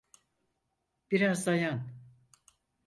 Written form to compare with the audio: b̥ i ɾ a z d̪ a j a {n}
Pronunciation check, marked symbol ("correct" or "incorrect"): correct